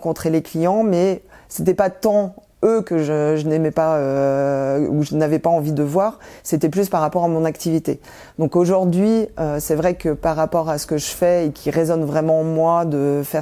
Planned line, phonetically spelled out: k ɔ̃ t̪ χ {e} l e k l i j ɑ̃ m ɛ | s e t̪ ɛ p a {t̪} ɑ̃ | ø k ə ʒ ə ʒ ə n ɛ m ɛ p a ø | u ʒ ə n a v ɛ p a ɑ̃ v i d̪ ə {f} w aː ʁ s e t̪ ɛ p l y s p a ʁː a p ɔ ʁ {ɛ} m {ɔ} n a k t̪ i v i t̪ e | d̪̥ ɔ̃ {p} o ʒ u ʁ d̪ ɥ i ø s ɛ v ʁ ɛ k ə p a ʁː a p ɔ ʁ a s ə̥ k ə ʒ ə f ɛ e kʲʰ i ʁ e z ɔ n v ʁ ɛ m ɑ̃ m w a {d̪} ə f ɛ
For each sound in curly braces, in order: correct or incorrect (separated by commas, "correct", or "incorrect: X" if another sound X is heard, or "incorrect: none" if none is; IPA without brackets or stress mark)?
correct, correct, incorrect: v, incorrect: a, incorrect: ɔ̃, incorrect: k, correct